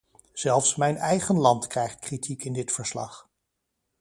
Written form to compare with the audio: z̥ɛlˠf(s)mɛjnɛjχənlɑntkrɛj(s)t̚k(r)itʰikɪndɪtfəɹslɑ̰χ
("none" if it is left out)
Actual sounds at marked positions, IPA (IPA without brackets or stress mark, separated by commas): s, χ, r